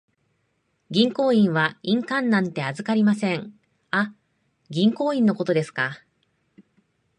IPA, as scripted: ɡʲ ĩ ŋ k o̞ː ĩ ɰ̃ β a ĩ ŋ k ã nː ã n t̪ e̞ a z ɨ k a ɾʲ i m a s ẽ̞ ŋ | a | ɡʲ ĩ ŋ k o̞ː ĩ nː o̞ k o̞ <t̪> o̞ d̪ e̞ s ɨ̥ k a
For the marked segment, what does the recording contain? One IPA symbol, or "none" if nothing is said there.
t̪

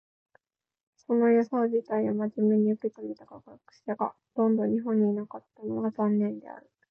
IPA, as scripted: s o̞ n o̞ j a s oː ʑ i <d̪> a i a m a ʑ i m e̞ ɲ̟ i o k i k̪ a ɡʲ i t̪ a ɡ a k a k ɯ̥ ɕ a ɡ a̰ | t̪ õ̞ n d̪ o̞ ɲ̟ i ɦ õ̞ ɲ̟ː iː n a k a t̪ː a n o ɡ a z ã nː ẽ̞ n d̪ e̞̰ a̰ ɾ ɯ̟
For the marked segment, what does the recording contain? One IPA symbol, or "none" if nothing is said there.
t̪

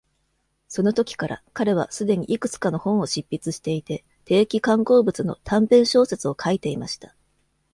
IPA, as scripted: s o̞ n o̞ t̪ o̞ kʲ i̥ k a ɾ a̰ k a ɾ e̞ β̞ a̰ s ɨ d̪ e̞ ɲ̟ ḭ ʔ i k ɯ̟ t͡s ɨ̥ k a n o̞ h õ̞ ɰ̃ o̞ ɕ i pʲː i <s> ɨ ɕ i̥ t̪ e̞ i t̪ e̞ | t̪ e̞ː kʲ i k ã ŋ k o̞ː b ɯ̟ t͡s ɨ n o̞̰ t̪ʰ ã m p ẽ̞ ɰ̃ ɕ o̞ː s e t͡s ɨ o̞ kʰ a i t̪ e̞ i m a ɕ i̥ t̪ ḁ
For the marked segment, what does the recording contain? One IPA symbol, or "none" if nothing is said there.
t͡s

